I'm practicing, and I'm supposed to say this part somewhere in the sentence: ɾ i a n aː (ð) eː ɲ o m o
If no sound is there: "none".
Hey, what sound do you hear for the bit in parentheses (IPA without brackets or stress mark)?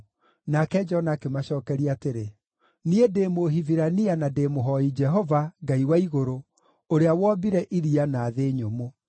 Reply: ð